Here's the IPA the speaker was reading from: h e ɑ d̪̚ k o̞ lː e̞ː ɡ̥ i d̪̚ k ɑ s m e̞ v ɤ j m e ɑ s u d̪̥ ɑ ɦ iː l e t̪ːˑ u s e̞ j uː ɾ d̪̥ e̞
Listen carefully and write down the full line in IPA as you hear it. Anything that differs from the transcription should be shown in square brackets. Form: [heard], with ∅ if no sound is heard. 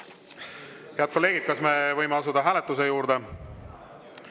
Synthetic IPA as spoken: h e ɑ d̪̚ k o̞ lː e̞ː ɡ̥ i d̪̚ k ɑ s m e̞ v ɤ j m e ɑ s u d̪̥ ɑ ɦ [æː] l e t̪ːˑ u s e̞ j uː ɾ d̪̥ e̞